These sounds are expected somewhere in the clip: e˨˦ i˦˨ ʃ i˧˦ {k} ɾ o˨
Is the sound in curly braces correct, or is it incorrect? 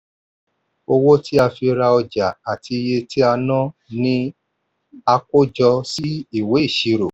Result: incorrect